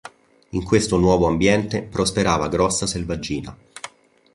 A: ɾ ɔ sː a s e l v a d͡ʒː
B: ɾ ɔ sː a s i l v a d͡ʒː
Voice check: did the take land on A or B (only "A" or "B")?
A